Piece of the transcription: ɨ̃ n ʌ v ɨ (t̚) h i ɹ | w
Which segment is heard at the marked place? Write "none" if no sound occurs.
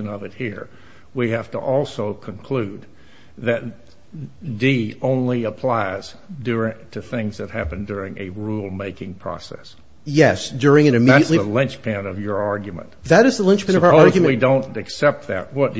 t̚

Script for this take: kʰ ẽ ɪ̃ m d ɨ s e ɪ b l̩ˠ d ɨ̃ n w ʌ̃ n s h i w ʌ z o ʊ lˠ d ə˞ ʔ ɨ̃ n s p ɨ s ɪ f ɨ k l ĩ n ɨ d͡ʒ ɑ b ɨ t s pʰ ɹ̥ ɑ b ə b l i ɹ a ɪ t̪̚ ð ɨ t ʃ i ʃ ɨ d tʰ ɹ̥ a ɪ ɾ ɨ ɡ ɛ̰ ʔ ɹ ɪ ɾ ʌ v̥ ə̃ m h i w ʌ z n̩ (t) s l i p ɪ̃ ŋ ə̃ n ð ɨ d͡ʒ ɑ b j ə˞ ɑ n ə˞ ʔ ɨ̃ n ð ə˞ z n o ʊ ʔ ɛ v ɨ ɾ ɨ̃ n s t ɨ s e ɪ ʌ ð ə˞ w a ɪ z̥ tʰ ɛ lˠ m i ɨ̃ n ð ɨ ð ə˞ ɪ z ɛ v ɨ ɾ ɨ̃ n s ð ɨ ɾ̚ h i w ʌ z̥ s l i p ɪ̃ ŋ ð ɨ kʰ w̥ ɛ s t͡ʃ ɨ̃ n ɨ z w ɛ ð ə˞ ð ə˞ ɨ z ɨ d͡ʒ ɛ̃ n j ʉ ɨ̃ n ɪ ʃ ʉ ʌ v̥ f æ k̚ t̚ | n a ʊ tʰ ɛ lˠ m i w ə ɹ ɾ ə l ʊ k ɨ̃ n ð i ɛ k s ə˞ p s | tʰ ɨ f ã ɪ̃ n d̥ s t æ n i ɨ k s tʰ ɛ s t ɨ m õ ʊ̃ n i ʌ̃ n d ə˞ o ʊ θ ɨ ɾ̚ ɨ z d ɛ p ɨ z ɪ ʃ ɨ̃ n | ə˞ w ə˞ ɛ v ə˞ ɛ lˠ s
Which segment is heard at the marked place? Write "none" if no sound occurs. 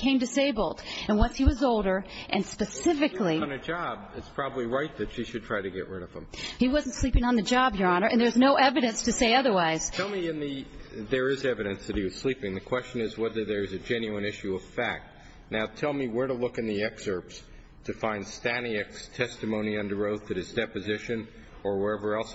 t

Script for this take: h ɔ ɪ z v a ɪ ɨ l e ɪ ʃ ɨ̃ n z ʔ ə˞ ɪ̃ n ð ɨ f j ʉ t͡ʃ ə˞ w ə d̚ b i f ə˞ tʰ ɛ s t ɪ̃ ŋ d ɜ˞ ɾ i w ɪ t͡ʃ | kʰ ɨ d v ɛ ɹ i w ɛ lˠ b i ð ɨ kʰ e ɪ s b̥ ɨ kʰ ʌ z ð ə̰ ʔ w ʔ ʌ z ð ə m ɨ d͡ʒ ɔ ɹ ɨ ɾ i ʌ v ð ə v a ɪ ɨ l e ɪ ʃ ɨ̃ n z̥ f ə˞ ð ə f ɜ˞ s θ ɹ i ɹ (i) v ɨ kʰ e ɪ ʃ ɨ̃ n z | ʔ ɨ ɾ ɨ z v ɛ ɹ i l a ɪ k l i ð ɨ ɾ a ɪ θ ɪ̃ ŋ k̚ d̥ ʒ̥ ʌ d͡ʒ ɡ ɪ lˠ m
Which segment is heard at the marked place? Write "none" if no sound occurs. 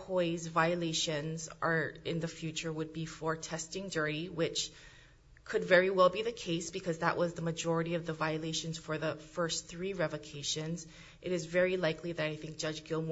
ɛ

